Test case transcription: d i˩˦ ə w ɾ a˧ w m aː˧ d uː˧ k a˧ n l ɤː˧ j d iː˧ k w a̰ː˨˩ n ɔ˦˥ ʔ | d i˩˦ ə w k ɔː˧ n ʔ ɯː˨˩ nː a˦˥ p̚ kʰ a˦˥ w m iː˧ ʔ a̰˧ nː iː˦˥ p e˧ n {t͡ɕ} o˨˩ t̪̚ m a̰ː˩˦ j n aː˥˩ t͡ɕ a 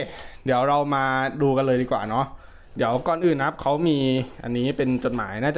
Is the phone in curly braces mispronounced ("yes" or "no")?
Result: no